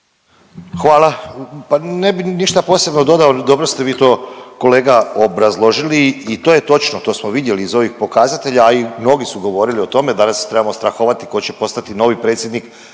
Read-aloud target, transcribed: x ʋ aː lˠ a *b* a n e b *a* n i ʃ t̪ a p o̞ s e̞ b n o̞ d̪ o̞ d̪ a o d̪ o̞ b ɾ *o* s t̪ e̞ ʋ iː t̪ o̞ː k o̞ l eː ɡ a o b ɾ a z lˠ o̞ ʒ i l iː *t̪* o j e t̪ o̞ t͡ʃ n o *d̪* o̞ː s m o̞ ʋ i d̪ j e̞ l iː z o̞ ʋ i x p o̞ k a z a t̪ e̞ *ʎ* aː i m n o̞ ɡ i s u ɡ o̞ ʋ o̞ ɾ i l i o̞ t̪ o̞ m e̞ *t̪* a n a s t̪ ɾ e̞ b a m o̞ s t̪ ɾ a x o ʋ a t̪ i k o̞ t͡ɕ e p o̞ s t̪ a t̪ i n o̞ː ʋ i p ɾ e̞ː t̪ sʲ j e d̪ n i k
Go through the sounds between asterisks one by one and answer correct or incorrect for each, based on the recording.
incorrect, incorrect, correct, correct, incorrect, correct, incorrect

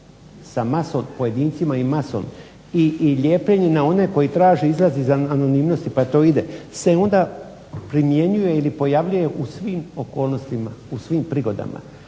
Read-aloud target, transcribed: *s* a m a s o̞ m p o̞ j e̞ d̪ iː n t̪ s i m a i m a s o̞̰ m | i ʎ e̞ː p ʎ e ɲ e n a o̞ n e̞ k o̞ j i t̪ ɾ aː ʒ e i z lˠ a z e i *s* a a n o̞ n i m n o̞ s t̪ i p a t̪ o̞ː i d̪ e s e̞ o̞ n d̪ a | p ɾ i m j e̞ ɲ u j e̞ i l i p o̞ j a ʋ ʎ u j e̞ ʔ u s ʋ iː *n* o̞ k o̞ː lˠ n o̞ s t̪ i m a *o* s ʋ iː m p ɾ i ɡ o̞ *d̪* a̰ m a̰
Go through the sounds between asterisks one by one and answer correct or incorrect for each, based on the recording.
correct, incorrect, incorrect, incorrect, correct

